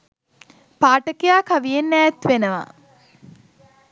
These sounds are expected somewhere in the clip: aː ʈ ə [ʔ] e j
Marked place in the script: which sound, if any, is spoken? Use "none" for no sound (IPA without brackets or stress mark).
k